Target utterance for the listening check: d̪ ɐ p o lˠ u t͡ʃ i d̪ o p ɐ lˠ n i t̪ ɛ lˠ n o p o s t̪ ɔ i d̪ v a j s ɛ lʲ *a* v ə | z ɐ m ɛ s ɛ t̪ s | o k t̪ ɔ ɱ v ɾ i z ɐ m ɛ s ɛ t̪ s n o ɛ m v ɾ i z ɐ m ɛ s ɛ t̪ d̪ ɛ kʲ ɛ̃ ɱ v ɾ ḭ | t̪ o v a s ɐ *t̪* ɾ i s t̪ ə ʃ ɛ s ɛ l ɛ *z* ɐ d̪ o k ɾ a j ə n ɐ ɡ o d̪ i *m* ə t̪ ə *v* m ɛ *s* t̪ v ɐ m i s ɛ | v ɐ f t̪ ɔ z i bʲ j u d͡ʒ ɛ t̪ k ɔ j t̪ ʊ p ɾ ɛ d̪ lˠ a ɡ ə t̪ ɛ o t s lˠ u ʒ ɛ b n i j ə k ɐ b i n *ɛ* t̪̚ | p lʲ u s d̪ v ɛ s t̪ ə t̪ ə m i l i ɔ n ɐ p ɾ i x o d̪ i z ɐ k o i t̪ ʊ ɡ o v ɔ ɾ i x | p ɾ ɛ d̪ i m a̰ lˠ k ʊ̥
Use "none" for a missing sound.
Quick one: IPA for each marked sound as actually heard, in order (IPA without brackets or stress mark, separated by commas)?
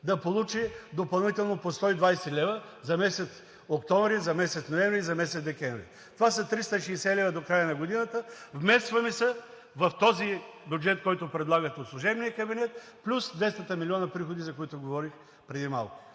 ɛ, t̪, v, n, v, s, ɛ